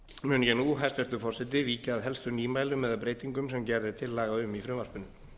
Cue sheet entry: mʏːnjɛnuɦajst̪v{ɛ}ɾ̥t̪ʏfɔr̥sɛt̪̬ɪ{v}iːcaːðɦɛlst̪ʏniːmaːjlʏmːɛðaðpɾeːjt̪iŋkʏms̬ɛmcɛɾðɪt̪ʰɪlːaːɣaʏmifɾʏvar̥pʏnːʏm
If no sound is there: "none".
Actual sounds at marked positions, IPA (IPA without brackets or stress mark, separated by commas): ɛ, v